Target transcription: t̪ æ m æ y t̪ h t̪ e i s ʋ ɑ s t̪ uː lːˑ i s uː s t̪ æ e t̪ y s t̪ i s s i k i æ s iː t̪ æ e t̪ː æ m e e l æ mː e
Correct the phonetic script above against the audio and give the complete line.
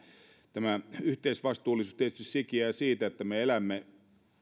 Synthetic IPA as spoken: t̪ æ m æ y h t̪ e i s ʋ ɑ s t̪ uː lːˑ i s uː s t̪ i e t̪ y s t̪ i s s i k i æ s iː t̪ æ e t̪ː æ m e e l æ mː e